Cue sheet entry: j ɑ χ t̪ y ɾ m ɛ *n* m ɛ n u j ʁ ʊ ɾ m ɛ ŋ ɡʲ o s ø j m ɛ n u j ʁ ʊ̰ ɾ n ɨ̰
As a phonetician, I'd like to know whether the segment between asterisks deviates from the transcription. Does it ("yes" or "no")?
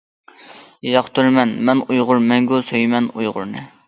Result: no